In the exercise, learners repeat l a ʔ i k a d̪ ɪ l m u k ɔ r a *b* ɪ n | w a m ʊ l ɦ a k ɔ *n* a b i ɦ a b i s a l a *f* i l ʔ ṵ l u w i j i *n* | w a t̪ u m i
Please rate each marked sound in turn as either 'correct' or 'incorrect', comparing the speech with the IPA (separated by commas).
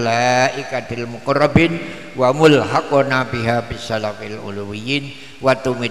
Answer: correct, correct, correct, correct